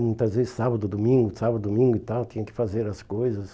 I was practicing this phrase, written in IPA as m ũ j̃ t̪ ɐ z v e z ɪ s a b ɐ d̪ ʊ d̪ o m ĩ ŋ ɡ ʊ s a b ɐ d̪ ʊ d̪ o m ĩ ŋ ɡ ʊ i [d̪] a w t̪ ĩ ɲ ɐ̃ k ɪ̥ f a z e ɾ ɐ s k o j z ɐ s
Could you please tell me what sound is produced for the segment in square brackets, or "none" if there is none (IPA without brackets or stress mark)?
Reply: t̪